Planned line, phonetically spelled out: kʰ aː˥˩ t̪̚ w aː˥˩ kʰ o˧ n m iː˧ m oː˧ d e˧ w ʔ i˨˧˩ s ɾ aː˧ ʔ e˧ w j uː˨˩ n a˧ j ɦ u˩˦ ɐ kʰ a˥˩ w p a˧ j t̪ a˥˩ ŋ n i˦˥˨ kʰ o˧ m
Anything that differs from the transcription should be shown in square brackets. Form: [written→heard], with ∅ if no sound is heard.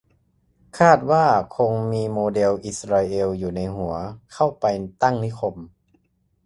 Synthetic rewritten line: kʰ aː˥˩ t̪̚ w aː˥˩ kʰ o˧ [n→ŋ] m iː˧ m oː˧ d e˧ w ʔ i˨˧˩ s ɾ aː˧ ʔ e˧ w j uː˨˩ n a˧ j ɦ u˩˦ ɐ kʰ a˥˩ w p a˧ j t̪ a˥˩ ŋ n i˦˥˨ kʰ o˧ m